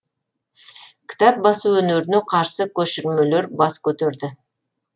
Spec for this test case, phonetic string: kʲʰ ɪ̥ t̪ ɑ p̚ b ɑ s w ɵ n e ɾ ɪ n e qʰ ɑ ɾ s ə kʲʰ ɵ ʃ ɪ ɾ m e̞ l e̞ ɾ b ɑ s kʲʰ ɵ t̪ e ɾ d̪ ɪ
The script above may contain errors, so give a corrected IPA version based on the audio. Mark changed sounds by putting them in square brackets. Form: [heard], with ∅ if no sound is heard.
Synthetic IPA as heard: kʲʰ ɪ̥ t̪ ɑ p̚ b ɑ s [u] ɵ n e ɾ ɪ n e qʰ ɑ ɾ s ə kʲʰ ɵ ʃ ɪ ɾ m e̞ l e̞ ɾ b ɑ s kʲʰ ɵ t̪ e ɾ d̪ ɪ